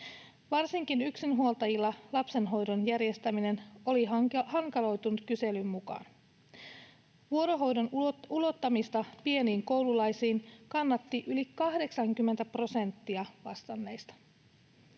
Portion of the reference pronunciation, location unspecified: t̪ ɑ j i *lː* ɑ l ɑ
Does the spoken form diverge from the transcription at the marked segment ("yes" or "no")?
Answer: no